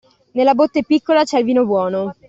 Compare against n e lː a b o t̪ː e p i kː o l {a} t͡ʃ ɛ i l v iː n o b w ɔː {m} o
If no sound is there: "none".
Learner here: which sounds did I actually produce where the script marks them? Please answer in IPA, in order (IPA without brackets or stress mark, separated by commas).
a, n